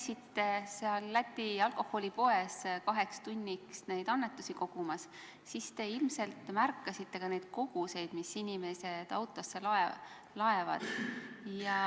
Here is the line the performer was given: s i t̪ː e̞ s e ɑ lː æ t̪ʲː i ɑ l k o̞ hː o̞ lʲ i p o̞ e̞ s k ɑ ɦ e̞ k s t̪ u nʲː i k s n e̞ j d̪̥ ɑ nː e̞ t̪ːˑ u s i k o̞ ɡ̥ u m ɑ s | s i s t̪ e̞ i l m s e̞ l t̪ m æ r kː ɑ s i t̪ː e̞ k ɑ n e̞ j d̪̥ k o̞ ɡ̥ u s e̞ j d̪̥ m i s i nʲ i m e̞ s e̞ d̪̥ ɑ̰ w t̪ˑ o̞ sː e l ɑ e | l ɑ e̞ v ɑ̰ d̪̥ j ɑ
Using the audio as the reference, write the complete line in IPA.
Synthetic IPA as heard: s i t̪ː e̞ s e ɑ lː æ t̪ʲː i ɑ l k o̞ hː o̞ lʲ i p o̞ e̞ s k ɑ ɦ e̞ k s t̪ u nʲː i k s n e̞ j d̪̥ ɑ nː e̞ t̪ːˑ u s i k o̞ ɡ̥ u m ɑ s | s i s t̪ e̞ i l m s e̞ l t̪ m æ r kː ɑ s i t̪ː e̞ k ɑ n e̞ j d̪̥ k o̞ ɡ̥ u s e̞ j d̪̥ m i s i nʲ i m e̞ s e̞ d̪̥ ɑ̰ w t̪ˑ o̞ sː e l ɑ e | l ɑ e̞ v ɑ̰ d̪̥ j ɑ

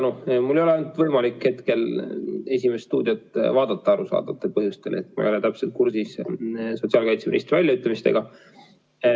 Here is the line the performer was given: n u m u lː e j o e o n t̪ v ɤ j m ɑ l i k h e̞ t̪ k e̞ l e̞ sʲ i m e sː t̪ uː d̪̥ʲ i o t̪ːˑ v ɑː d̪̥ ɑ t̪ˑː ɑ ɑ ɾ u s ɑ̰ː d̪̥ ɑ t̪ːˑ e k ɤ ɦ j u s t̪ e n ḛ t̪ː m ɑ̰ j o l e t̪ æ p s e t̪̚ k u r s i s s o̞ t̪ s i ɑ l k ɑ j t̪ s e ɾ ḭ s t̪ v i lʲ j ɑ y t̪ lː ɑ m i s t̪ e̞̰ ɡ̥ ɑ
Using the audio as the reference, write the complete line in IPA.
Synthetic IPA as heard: n u m u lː e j o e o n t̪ v ɤ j m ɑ l i k h e̞ t̪ k e̞ l e̞ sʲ i m e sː t̪ uː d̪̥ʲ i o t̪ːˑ v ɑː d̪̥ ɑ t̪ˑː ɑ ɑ ɾ u s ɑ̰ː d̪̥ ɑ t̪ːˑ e p ɤ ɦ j u s t̪ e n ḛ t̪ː m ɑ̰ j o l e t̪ æ p s e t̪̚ k u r s i s s o̞ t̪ s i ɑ l k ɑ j t̪ s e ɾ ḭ s t̪ v æ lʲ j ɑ y t̪ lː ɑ m i s t̪ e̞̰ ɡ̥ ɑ

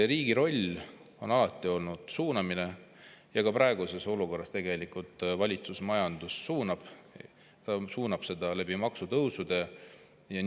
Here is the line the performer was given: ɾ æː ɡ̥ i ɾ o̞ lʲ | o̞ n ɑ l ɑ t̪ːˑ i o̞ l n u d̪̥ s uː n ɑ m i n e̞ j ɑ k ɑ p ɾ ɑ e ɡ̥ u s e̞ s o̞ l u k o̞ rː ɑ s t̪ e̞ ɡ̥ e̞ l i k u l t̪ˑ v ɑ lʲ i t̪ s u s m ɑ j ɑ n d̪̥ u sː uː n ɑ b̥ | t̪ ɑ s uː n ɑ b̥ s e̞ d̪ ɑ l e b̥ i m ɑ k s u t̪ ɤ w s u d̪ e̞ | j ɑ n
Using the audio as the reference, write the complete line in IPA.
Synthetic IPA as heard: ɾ iː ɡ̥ i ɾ o̞ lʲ | o̞ n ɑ l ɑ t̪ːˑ i o̞ l n u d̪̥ s uː n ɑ m i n e̞ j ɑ k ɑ p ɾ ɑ e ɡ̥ u s e̞ s o̞ l u k o̞ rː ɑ s t̪ e̞ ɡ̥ e̞ l i k u l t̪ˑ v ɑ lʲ i t̪ s u s m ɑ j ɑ n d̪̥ u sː uː n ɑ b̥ | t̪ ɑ s uː n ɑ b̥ s e̞ d̪ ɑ l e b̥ i m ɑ k s u t̪ ɤ w s u d̪ e̞ | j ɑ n

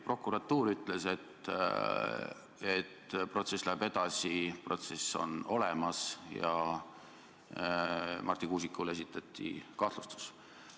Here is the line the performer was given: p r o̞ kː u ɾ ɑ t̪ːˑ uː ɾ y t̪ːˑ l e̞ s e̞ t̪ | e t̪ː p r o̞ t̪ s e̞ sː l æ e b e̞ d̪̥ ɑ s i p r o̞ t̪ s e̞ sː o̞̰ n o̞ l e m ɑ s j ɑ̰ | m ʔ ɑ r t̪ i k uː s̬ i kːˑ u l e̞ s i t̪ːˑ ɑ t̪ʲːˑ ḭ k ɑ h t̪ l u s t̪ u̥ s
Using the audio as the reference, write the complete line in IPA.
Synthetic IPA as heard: p r o̞ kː u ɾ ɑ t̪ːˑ uː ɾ y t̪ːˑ l e̞ s e̞ t̪ | e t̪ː p r o̞ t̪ s e̞ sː l æ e b e̞ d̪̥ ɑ s i p r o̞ t̪ s e̞ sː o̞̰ n o̞ l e m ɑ s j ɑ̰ | m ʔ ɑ r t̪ i k uː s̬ i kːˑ u l e̞ s i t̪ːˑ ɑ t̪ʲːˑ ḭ k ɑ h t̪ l u s t̪ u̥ s

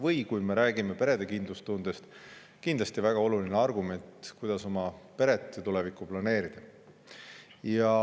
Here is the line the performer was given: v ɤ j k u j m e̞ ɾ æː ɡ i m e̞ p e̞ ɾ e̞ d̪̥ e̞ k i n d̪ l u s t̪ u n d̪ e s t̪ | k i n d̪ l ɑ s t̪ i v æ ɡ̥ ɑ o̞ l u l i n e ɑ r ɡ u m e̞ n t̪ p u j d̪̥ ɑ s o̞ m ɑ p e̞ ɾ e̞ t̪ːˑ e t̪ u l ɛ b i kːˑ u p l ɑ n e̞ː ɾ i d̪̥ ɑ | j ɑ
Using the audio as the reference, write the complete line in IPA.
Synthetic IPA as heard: v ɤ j k u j m e̞ ɾ æː ɡ i m e̞ p e̞ ɾ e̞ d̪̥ e̞ k i n d̪ l u s t̪ u n d̪ e s t̪ | k i n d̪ l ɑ s t̪ i v æ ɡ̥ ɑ o̞ l u l i n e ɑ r ɡ u m e̞ n t̪ k u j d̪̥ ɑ s o̞ m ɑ p e̞ ɾ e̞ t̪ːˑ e t̪ u l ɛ v i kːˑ u p l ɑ n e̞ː ɾ i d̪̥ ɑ | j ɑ

